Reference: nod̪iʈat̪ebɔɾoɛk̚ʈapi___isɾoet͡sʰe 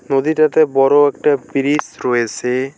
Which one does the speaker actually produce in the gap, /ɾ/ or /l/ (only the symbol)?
ɾ